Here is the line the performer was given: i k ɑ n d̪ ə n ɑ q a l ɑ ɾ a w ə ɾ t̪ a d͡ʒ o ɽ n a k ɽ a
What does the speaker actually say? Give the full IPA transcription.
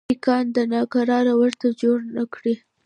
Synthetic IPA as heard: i k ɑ n d̪ ə n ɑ k a ɾ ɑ ɾ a w ə ɾ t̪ a d͡ʒ o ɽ n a k ɽ i